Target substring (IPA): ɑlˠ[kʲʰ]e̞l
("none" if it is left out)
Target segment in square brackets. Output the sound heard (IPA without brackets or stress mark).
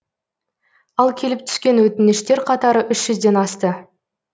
kʲʰ